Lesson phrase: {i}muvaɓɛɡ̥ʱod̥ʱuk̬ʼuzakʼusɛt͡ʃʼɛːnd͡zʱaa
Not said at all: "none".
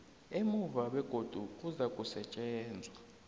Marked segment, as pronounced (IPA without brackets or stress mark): e